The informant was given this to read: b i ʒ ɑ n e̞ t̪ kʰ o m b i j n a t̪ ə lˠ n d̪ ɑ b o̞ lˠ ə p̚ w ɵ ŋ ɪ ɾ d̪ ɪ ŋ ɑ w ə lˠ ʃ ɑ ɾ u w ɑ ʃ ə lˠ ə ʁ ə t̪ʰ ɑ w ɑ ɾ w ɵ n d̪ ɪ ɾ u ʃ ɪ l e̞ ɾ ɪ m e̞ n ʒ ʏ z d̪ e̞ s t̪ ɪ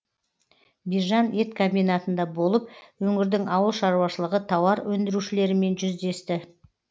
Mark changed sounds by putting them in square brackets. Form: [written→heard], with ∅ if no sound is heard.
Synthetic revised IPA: b i ʒ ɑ n e̞ t̪ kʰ o m b i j n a t̪ ə [lˠ→∅] n d̪ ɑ b o̞ lˠ ə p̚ w ɵ ŋ ɪ ɾ d̪ ɪ ŋ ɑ w ə lˠ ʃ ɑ ɾ u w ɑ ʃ ə lˠ ə ʁ ə t̪ʰ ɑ w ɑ ɾ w ɵ n d̪ ɪ ɾ u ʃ ɪ l e̞ ɾ ɪ m e̞ n ʒ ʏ z d̪ e̞ s t̪ ɪ